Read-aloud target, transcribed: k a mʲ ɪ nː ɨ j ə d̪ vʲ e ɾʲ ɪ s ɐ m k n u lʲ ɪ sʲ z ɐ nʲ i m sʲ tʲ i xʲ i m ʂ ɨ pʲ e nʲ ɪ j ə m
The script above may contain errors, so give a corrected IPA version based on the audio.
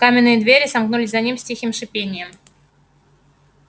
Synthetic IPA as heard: k a mʲ ɪ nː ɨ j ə d̪ vʲ e ɾʲ ɪ s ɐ m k n u lʲ ɪ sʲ z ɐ nʲ i m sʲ tʲ i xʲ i m ʂ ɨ pʲ e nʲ ɪ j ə m